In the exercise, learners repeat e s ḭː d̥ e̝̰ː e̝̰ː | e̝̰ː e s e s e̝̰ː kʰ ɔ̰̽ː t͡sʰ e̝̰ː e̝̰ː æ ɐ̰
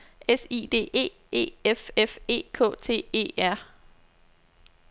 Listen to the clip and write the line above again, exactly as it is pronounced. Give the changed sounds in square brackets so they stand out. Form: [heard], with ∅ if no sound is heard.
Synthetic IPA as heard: e s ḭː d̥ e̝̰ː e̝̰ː | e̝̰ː e [f] e [f] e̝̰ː kʰ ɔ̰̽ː t͡sʰ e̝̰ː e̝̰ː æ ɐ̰